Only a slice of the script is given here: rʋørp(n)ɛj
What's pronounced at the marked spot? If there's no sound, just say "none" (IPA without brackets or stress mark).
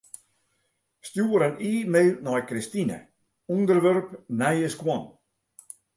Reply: n